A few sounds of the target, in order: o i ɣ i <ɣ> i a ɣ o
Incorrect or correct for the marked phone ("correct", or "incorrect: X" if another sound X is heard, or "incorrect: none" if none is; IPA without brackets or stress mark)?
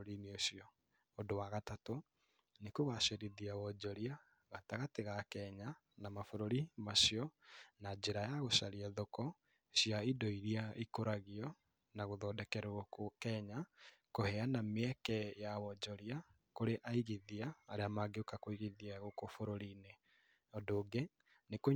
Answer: incorrect: ð